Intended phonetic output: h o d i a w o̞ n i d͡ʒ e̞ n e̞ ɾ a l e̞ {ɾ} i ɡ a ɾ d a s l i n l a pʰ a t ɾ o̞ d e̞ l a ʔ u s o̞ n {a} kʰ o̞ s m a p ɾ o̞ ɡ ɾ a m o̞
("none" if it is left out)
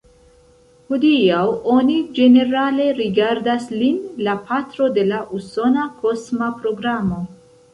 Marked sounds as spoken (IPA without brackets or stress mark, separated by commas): ɾ, a